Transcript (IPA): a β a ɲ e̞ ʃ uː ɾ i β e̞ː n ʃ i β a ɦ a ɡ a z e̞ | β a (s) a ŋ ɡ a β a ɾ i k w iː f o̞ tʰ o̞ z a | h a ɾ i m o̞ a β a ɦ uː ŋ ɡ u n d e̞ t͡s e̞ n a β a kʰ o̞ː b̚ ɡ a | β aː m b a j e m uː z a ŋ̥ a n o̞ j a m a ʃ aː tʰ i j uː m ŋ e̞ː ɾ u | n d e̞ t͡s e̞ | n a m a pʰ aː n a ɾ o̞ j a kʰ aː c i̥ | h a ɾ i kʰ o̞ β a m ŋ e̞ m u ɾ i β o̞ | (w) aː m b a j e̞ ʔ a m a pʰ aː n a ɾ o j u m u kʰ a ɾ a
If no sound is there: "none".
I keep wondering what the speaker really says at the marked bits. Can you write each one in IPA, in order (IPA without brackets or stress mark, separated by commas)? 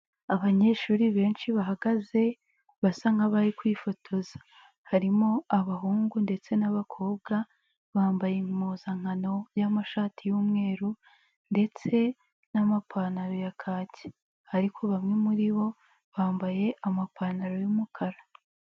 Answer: s, β